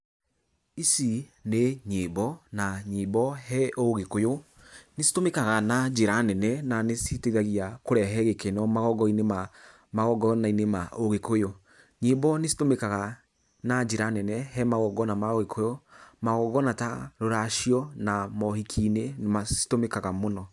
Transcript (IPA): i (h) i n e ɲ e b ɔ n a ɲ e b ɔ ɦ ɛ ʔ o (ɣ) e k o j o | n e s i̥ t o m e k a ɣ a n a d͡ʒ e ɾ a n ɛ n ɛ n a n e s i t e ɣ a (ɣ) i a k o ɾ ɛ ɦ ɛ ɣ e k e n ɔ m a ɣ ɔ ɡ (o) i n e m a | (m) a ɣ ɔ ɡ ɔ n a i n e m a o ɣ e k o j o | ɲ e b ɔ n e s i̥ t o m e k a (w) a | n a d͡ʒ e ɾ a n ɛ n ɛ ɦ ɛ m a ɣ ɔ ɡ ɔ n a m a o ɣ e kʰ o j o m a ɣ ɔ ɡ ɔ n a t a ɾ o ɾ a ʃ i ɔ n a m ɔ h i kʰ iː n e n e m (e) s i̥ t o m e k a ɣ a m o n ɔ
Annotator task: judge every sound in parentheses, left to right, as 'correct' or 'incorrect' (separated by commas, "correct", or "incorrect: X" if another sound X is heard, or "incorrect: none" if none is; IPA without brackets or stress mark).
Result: incorrect: s, correct, correct, incorrect: ɔ, correct, incorrect: ɣ, incorrect: a